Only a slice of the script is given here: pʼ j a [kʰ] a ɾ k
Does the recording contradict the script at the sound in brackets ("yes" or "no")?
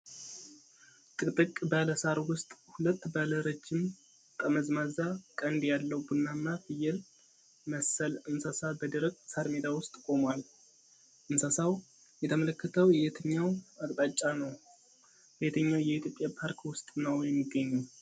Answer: yes